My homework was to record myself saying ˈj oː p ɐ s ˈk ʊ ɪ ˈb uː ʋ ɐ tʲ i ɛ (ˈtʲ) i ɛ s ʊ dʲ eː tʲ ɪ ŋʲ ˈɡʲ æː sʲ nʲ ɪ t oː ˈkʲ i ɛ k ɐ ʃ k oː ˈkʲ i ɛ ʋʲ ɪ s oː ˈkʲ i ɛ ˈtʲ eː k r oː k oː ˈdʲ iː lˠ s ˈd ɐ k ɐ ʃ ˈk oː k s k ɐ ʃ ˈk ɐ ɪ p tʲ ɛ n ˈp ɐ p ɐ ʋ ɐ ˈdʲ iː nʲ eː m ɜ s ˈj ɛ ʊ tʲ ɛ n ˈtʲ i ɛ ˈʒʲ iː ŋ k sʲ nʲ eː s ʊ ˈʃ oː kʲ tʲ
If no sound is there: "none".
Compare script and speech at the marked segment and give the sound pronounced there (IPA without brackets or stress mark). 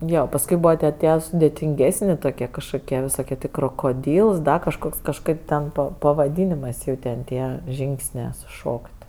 tʲ